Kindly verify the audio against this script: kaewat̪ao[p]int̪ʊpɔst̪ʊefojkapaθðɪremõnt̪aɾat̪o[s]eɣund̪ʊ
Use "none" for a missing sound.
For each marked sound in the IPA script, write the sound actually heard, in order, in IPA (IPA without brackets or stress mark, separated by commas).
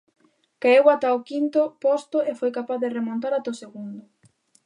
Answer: k, s